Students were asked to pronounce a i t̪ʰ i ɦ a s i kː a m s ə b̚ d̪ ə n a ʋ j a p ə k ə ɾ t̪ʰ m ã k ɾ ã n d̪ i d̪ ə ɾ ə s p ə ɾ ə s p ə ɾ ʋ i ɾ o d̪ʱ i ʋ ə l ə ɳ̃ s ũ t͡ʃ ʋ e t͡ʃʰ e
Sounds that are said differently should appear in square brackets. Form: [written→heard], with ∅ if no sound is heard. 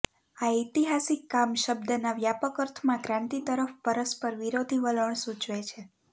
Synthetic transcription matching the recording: a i [t̪ʰ→t̪] i ɦ a s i kː a m [s→ʃ] ə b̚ d̪ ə n a ʋ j a p ə k ə ɾ t̪ʰ m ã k ɾ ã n [d̪→t̪] i [d̪→t̪] ə ɾ ə [s→f] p ə ɾ ə s p ə ɾ ʋ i ɾ o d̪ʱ i ʋ ə l ə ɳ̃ s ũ t͡ʃ ʋ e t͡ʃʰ e